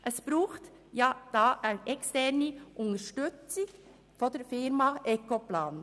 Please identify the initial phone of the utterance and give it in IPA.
ʔ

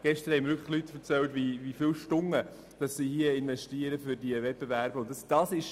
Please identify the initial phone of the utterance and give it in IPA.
ɡ̥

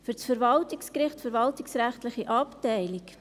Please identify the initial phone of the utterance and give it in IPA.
f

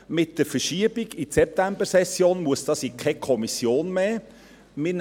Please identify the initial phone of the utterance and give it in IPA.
m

